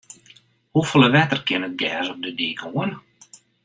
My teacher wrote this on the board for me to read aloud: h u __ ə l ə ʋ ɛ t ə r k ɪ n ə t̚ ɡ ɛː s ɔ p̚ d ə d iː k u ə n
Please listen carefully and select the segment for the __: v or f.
f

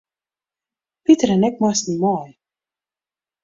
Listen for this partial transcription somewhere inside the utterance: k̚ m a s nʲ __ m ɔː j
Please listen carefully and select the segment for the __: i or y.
i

